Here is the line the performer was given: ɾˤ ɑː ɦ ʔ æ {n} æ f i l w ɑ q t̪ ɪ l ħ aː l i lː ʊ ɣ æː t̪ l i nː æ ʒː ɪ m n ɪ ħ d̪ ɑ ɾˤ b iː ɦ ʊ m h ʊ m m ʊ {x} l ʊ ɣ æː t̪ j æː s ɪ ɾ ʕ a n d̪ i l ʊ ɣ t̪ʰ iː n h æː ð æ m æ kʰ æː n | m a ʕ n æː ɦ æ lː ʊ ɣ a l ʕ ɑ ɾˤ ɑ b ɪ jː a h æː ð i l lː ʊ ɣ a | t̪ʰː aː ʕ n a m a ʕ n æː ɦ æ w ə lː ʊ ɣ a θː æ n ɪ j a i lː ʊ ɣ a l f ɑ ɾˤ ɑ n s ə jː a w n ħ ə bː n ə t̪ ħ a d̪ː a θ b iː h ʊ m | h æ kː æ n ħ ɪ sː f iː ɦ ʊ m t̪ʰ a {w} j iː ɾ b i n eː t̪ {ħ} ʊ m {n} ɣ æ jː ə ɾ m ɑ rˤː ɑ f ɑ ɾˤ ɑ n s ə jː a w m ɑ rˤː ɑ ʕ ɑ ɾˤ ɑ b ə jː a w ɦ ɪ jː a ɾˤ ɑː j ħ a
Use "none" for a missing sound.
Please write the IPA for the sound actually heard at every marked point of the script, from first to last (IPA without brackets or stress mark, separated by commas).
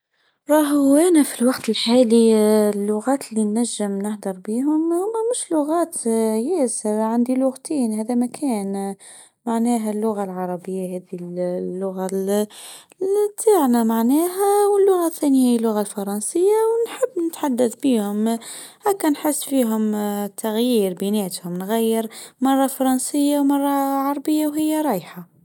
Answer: n, ʃ, ɣ, h, n